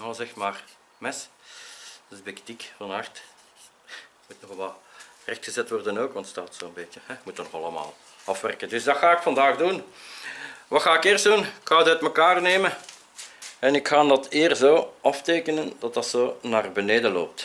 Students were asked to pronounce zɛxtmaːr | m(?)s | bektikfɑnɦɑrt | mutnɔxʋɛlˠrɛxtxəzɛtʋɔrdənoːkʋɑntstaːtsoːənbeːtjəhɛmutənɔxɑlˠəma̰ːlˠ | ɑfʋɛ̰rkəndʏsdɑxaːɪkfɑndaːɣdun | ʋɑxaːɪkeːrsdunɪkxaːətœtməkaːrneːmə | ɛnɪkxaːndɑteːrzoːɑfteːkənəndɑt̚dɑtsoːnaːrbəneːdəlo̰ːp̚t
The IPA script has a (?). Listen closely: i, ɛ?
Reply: ɛ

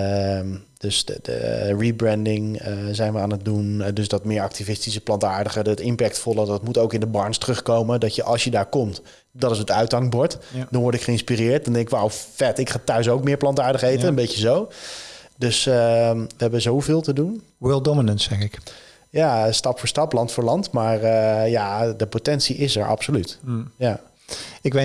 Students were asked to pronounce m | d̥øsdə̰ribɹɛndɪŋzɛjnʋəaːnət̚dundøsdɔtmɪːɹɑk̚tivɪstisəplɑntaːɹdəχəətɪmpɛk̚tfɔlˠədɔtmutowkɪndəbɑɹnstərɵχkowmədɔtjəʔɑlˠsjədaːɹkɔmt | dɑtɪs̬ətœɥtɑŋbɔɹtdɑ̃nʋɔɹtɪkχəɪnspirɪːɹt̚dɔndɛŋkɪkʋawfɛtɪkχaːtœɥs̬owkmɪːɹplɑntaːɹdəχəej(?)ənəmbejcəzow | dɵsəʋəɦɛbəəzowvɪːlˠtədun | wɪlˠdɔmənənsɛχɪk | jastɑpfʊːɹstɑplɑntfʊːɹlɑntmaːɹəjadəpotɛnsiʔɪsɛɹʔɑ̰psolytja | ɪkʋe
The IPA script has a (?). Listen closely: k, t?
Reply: t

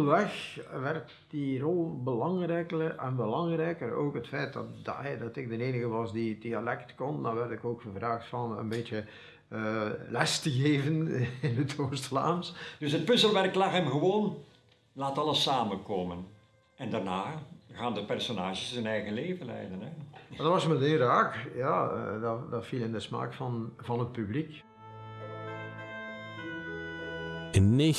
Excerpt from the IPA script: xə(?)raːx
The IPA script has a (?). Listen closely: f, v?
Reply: v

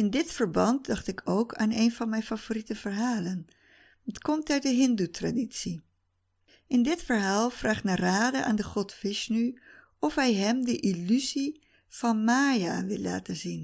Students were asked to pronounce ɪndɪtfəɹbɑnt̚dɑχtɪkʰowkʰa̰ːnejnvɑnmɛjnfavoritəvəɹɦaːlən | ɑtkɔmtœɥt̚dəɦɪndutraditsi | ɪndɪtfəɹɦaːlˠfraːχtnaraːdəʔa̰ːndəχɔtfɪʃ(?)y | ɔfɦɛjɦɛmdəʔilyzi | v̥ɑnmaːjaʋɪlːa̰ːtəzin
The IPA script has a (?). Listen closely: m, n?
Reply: n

